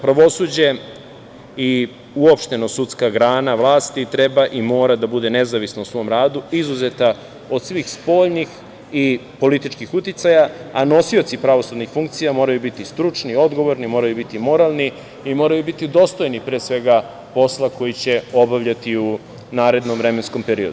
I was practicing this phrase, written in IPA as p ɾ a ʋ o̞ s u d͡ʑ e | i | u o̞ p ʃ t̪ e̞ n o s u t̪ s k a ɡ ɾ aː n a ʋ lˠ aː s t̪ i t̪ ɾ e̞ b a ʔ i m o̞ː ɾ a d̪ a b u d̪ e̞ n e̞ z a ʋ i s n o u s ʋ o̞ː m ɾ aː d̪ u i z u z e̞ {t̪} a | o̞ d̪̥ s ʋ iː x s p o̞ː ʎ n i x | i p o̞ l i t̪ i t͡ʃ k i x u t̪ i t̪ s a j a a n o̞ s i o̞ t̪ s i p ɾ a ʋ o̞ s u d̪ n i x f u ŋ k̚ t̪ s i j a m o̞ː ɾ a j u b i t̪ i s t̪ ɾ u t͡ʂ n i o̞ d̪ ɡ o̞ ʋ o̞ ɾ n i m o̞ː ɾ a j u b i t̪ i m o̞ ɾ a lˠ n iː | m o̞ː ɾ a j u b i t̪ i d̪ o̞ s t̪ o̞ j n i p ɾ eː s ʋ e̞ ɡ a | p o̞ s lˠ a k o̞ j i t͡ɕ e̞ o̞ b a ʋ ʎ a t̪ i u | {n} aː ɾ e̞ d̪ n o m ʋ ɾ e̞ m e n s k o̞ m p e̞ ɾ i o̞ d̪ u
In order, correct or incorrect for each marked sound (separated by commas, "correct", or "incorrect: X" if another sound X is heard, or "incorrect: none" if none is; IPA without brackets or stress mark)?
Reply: correct, correct